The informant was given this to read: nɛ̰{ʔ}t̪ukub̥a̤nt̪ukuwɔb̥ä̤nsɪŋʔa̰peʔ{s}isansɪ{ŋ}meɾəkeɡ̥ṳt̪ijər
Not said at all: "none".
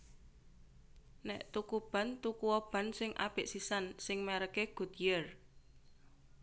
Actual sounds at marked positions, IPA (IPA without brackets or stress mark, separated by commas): ʔ, s, ŋ